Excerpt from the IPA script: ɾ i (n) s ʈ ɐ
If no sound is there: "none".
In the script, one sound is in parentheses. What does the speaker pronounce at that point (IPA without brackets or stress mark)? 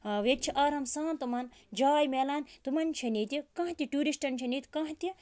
none